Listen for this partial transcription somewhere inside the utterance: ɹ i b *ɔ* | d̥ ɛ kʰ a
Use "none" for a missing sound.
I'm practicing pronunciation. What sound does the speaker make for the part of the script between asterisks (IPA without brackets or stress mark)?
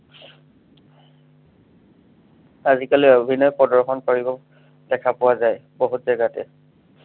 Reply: ɔ